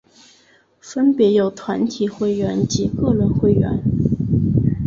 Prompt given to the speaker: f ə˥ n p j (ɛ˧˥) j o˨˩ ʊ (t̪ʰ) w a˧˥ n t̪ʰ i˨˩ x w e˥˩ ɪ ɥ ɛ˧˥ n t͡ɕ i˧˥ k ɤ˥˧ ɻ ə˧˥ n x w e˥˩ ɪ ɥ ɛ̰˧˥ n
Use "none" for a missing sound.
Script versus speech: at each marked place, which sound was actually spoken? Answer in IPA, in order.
ɛ˧˥, t̪ʰ

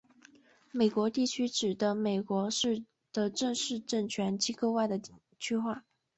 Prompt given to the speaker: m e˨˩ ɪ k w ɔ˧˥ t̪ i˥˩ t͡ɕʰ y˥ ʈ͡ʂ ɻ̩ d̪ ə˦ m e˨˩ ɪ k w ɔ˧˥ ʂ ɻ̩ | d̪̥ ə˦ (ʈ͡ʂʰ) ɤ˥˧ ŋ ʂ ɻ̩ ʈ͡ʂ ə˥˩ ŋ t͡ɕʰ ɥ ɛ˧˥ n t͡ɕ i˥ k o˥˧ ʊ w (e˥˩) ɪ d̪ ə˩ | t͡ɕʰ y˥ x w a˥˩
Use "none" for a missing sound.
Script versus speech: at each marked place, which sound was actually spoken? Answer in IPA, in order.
ʈ͡ʂ, a˥˩

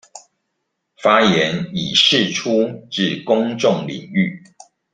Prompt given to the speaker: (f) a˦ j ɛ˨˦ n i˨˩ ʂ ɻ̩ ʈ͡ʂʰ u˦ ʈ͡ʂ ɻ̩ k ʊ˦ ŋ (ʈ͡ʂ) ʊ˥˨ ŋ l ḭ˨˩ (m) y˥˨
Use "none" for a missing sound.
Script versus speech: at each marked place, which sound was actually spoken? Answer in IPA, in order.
f, ʈ͡ʂ, ŋ

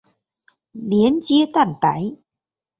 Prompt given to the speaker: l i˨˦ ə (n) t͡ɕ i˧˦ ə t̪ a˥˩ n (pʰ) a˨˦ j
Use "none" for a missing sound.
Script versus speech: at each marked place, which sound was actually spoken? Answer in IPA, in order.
n, p

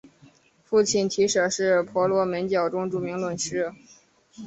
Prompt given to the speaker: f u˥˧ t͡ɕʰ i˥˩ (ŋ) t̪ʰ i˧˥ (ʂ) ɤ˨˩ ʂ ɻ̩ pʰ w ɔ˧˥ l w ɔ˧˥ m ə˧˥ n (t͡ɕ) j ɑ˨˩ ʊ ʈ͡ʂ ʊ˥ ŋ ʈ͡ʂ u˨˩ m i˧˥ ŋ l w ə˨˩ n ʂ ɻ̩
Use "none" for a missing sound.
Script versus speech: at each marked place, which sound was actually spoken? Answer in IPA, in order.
n, ʂ, t͡ɕ

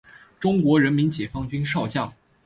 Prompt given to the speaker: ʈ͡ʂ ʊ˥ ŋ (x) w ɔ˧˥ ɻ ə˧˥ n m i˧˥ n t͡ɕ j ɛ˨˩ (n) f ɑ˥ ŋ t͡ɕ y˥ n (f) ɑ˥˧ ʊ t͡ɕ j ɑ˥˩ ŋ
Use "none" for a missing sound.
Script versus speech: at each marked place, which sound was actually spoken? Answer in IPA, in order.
k, none, ʂ

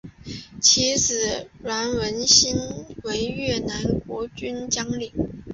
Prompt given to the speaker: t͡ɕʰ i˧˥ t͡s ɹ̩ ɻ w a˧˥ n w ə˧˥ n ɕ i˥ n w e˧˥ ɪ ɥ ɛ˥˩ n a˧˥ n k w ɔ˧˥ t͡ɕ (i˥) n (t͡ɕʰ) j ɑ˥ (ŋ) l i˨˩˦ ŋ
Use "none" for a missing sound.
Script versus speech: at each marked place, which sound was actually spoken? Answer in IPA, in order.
y˥, t͡ɕ, ŋ

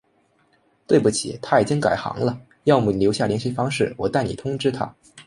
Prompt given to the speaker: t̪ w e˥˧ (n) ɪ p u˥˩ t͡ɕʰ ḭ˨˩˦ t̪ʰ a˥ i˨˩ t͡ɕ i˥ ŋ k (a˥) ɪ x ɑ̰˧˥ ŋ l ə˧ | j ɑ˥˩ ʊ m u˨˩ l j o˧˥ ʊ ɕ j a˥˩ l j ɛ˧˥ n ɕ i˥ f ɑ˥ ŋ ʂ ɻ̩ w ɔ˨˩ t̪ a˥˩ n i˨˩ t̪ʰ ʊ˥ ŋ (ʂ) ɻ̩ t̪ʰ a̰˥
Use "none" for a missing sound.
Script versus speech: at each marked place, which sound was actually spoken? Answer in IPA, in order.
none, a˨˩, ʈ͡ʂ

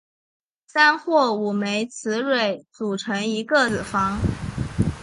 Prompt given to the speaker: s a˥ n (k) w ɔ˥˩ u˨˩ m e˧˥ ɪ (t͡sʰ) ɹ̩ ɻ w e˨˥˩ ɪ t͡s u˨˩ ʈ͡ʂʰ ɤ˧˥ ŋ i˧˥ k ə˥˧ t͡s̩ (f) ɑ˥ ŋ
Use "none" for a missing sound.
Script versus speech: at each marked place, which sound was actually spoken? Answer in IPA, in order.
x, t͡sʰ, f

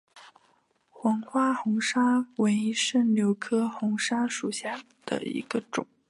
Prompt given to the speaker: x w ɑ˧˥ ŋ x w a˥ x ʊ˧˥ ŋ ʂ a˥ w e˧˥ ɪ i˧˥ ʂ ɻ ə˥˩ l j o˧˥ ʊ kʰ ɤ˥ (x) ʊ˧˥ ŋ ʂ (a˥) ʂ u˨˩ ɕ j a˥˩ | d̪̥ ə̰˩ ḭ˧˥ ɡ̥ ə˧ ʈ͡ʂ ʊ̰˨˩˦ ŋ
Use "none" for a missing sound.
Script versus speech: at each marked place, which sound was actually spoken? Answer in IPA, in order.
x, a˥

